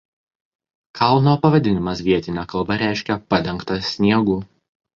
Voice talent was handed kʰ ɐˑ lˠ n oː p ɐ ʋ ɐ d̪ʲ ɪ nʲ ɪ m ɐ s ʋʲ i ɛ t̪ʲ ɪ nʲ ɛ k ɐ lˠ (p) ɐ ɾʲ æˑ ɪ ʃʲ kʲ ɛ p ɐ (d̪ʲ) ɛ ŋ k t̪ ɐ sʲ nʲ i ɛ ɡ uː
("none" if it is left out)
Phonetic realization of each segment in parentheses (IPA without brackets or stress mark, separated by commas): b, d̪ʲ